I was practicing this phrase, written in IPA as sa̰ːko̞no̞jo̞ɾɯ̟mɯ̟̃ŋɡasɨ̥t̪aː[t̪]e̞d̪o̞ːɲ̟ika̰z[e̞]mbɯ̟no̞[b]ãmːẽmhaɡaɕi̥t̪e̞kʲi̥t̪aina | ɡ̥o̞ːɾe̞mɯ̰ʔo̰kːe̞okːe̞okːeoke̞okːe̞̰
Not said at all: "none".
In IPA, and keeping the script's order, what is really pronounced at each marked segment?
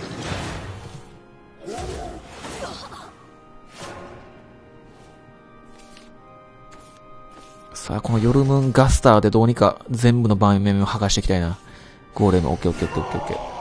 d̪, ẽ̞, b

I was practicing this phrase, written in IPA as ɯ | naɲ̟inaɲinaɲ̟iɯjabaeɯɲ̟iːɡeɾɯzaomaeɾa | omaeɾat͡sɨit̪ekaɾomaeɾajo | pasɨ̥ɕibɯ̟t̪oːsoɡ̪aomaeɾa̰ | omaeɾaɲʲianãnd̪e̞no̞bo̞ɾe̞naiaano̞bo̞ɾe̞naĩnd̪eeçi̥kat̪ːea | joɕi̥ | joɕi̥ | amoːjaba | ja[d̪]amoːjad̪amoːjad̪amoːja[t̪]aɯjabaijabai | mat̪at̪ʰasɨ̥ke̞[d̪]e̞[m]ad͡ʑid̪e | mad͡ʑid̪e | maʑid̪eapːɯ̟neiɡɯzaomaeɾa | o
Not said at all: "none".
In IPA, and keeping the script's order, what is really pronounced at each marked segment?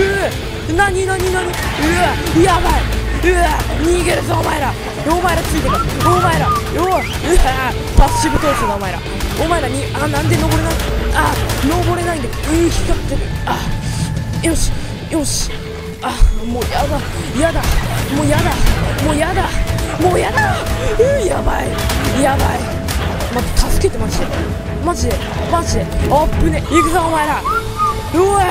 d̪, d̪, t̪, m

